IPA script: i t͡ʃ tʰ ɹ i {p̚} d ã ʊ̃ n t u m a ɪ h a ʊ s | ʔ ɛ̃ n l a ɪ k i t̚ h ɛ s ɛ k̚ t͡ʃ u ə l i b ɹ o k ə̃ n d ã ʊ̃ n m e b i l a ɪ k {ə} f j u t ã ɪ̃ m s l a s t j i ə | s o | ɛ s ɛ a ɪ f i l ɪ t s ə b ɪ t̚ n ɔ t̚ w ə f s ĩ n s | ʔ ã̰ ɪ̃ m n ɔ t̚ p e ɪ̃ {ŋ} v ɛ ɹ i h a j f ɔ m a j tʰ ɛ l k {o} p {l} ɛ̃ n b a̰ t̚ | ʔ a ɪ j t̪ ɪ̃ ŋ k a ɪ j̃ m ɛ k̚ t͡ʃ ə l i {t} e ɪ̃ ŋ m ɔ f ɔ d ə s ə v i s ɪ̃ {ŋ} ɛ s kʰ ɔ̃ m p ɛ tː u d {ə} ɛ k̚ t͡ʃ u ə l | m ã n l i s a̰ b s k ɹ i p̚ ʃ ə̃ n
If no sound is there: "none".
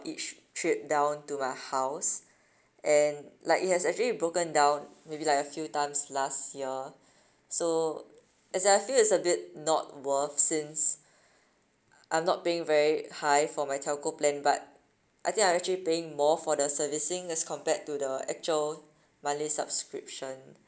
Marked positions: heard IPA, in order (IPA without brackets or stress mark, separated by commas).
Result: p̚, ə, ŋ, o, l, p, ŋ, ə